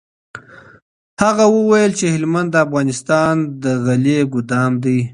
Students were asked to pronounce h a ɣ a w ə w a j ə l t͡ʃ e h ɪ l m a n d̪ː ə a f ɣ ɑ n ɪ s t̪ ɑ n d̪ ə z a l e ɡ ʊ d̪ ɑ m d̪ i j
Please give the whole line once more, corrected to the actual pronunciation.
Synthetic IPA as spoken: h a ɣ a w ə w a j ə l t͡ʃ e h ɪ l m a n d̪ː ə a f ɣ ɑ n ɪ s t̪ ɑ n d̪ ə ɣ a l e ɡ ʊ d̪ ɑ m d̪ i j